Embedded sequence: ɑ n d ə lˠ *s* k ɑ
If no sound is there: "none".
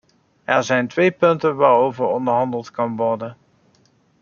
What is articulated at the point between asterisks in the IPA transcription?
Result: t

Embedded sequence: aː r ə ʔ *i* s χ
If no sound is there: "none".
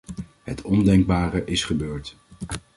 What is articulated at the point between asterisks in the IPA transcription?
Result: ɪ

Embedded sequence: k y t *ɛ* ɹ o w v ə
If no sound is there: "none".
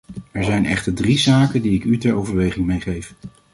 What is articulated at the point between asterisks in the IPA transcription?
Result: ɛ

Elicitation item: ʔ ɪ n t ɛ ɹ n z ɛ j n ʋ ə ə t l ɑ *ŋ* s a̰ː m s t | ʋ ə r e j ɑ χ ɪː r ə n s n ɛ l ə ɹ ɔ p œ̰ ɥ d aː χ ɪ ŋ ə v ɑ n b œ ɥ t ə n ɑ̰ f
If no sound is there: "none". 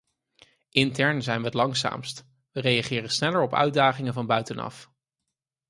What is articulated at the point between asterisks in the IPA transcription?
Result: ŋ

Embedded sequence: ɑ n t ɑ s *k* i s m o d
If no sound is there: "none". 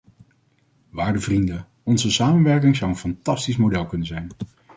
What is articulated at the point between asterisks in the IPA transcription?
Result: t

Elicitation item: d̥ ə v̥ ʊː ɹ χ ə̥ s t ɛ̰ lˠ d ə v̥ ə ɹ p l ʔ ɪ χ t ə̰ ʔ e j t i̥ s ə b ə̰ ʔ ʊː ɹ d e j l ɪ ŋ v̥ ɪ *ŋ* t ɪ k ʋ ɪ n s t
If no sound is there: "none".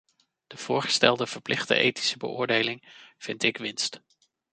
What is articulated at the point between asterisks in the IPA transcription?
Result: n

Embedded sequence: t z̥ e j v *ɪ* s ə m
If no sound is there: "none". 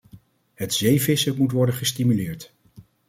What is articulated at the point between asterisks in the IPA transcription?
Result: ɪ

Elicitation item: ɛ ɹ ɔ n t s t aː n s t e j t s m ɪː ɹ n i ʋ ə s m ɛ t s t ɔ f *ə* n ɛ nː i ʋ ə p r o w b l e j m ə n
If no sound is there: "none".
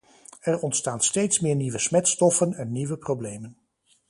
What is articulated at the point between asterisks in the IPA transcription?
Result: ə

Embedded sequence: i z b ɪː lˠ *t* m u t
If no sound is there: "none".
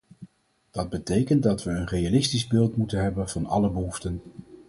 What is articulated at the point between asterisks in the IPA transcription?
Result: t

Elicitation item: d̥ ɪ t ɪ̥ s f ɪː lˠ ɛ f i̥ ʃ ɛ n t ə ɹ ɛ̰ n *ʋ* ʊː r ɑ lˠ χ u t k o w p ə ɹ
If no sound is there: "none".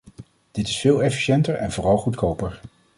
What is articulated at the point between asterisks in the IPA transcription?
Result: v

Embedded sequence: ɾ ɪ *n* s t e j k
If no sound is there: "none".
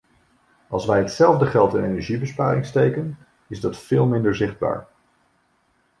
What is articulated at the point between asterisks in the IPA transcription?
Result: ŋ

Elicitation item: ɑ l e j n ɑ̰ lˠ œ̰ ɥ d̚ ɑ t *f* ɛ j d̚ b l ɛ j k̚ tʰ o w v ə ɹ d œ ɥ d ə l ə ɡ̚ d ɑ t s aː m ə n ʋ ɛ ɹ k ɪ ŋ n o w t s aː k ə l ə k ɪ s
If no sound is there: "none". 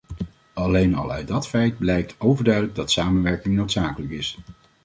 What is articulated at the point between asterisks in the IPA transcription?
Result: f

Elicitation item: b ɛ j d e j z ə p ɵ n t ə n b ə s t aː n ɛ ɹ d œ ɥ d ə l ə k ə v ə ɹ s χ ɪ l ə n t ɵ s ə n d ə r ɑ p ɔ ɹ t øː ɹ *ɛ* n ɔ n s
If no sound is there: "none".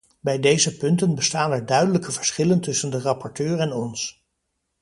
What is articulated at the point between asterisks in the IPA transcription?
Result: ɛ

